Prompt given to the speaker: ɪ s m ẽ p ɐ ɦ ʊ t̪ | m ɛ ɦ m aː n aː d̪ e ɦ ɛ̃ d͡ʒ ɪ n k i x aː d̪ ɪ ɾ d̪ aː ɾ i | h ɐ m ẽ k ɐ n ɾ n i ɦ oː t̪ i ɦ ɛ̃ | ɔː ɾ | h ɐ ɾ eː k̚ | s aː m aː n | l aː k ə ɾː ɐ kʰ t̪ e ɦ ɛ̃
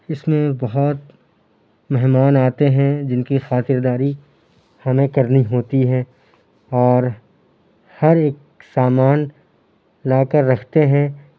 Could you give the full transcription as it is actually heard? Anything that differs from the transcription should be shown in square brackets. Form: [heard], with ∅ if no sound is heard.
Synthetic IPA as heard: ɪ s m ẽ [b] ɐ ɦ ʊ t̪ | m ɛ ɦ m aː n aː [t̪] e ɦ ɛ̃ d͡ʒ ɪ n k i x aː [t̪] ɪ ɾ d̪ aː ɾ i | h ɐ m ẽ k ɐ [∅] ɾ n i ɦ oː t̪ i ɦ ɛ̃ | ɔː ɾ | h ɐ ɾ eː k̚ | s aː m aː n | l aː k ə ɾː ɐ kʰ t̪ e ɦ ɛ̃

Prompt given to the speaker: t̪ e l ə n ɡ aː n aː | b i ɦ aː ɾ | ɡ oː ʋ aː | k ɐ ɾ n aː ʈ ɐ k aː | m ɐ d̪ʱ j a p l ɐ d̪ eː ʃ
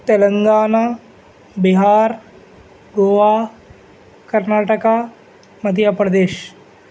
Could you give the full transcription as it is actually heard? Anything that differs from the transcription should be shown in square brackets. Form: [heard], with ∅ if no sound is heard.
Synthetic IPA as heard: t̪ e l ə [ŋ] ɡ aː n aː | b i ɦ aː ɾ | ɡ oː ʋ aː | k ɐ ɾ n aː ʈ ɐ k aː | m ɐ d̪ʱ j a p [ɾ] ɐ d̪ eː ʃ

